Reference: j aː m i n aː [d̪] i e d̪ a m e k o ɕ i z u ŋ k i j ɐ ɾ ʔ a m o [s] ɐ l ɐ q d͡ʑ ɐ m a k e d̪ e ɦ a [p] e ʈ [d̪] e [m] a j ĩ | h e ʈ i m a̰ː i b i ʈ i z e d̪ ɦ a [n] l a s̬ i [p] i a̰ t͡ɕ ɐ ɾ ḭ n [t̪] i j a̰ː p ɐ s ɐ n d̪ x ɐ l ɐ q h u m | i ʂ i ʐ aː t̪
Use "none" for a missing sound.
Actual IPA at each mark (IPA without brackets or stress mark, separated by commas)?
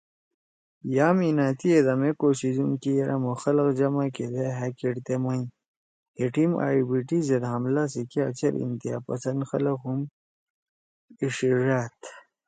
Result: t̪, x, k, t̪, m, m, k, t̪